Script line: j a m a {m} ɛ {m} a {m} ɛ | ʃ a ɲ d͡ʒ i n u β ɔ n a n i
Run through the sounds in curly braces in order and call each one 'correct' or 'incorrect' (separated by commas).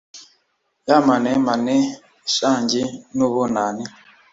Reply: incorrect, correct, incorrect